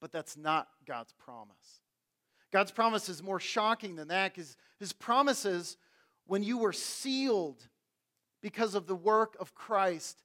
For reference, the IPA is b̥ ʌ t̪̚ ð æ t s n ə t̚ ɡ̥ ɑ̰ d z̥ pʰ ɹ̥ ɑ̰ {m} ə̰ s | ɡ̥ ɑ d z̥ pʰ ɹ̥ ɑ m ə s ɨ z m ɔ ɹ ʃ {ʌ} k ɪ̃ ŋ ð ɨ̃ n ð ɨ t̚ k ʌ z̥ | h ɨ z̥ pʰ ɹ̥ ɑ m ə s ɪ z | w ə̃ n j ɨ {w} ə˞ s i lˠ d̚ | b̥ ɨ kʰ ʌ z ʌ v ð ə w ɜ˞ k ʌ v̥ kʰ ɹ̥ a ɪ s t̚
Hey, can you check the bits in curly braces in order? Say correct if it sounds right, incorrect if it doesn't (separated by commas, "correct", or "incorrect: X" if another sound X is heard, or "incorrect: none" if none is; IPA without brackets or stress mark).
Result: correct, incorrect: ɑ, correct